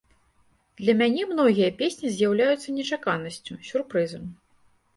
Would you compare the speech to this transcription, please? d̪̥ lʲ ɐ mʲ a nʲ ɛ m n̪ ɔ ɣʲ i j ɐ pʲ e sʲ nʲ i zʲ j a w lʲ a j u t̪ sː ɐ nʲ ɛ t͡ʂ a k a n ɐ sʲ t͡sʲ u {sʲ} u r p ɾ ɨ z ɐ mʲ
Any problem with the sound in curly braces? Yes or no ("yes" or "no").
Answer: no